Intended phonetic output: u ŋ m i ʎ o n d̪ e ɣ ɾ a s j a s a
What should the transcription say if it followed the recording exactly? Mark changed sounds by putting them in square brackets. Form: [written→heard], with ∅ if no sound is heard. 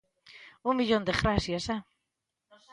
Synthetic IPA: u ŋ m i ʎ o n d̪ e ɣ ɾ a s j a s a